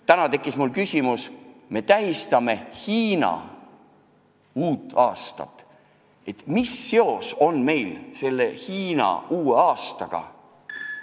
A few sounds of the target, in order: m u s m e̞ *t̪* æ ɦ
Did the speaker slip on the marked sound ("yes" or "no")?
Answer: no